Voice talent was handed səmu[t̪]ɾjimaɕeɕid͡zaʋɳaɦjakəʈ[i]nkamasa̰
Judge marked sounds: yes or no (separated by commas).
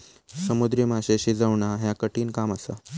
no, no